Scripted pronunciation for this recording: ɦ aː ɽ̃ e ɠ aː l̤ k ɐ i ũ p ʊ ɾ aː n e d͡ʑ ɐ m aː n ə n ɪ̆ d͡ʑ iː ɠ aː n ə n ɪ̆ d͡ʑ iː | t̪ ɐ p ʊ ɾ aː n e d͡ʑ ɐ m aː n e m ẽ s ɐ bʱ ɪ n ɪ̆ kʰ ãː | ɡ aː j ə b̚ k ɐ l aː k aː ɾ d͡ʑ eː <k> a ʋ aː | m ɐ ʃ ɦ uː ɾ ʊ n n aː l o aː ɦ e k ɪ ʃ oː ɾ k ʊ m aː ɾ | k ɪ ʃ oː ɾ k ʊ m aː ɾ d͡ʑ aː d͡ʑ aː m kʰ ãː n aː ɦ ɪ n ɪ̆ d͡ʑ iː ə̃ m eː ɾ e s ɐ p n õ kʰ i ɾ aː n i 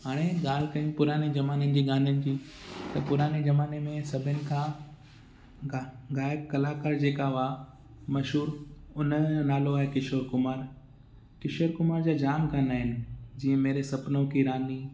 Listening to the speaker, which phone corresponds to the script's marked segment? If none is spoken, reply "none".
k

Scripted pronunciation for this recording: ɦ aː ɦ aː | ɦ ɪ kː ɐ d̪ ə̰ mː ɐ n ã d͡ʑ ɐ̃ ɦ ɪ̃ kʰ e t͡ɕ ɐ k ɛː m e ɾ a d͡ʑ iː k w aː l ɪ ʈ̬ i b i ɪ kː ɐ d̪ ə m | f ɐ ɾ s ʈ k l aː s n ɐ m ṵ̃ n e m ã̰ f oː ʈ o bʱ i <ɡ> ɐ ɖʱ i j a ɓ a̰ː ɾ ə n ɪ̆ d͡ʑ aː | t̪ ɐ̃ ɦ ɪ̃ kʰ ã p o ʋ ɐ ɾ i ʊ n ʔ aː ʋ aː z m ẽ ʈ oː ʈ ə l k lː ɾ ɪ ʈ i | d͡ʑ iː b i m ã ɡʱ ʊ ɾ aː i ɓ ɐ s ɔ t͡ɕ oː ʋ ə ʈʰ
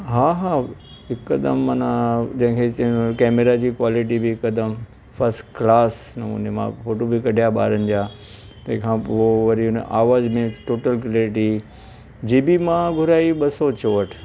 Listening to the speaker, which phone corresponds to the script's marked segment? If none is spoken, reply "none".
k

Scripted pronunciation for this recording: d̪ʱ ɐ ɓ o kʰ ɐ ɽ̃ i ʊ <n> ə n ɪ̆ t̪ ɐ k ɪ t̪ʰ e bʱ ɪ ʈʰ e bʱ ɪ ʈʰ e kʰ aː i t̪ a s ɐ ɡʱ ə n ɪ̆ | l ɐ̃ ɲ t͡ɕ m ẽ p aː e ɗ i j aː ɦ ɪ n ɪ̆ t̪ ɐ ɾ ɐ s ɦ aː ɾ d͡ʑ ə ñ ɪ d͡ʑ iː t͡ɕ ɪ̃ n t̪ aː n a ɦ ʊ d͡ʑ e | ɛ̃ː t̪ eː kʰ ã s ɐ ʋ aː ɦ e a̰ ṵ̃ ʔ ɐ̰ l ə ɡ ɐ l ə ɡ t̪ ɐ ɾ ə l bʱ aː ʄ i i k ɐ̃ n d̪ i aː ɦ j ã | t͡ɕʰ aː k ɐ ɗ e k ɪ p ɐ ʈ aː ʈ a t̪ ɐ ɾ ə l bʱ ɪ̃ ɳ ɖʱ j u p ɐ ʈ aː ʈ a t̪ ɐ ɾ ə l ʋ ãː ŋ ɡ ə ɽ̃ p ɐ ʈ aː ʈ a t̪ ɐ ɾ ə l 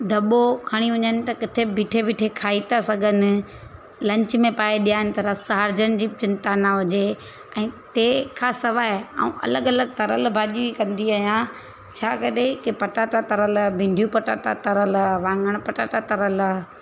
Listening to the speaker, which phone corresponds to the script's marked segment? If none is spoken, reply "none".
ɲ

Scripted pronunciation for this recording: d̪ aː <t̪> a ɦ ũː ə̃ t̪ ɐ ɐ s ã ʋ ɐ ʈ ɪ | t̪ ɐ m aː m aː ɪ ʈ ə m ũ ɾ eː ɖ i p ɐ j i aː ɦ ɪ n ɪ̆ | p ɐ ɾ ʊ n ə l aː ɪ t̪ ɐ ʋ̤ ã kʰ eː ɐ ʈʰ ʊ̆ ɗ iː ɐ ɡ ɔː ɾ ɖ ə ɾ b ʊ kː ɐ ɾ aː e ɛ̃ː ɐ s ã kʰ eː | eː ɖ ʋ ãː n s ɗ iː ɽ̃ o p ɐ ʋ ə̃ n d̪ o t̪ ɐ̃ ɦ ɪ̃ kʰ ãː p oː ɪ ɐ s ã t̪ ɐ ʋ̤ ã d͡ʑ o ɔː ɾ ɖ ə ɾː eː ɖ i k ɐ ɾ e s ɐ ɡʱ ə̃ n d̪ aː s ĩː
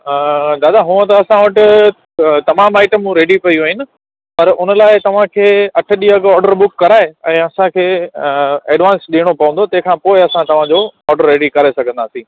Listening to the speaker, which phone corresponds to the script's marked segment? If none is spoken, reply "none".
d̪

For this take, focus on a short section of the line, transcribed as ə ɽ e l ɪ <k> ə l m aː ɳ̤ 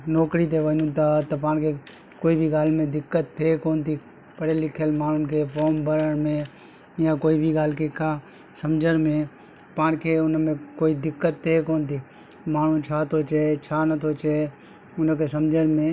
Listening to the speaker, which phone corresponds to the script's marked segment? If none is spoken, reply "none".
kʰ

